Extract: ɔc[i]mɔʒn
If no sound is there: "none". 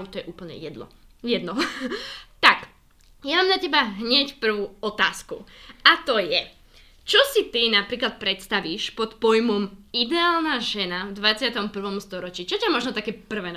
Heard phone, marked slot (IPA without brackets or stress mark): a